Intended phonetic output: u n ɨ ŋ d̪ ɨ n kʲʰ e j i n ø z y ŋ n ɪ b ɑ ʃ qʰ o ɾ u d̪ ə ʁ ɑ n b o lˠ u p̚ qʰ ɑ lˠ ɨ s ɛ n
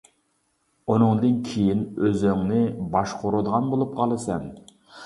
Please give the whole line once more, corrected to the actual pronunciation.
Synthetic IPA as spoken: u n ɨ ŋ d̪ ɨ n kʲʰ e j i n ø z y ŋ n ɪ b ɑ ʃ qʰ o ɾ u d̪ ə ʁ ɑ n b o lˠ u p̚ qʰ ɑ lˠ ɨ s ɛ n